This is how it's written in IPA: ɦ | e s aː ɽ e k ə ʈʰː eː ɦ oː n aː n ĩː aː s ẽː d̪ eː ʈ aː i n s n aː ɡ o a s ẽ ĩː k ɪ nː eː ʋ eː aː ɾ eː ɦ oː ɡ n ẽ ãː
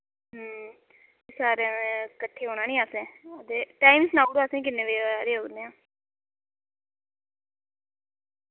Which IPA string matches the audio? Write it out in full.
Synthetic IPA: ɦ | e s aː ɾ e k ə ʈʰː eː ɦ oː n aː n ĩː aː s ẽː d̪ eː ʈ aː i m s n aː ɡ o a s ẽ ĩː k ɪ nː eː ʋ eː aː ɾ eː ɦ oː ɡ n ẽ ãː